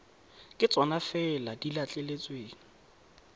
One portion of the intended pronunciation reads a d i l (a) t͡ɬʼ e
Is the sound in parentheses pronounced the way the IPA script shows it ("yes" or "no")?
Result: yes